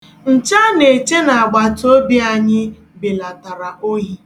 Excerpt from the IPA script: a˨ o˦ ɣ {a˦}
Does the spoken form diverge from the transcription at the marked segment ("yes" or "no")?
yes